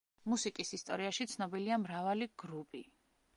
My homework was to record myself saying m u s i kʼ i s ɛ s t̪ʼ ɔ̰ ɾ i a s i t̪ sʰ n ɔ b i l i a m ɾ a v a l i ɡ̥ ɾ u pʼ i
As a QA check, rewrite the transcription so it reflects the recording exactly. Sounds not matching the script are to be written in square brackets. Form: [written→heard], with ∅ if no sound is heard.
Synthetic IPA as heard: m u s i kʼ i s [ɛ→i] s t̪ʼ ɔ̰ ɾ i a [s→ʃ] i t̪ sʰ n ɔ b i l i a m ɾ a v a l i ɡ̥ ɾ u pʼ i